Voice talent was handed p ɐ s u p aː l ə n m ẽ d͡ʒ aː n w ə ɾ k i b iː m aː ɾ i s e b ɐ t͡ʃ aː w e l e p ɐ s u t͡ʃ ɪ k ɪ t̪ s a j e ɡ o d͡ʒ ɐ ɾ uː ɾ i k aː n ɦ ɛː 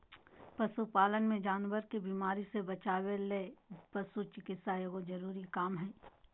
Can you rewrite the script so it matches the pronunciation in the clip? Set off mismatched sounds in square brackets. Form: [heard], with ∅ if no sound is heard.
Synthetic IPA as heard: p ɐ s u p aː l ə n m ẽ d͡ʒ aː n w ə ɾ k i b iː m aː ɾ i s e b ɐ t͡ʃ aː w e l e p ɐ s u t͡ʃ ɪ k ɪ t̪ s a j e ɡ o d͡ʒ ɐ ɾ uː ɾ i k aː [m] ɦ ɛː

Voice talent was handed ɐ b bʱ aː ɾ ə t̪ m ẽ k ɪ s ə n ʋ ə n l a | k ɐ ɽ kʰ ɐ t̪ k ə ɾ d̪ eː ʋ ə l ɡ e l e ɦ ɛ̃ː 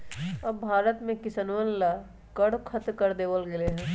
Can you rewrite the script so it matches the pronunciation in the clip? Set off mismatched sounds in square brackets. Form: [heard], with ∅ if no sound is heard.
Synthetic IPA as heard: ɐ b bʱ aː ɾ ə t̪ m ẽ k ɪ s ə n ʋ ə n l a | k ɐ ɽ kʰ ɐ t̪ k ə ɾ d̪ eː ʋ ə l ɡ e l e ɦ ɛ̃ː

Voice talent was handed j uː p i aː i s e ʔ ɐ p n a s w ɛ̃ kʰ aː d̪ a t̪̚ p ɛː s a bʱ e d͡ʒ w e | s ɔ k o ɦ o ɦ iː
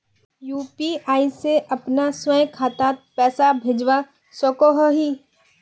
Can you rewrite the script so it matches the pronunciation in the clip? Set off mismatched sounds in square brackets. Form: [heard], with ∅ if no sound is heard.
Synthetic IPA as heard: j uː p i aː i s e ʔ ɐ p n a s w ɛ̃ kʰ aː [t̪] a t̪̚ p ɛː s a bʱ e d͡ʒ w [a] | s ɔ k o ɦ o ɦ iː

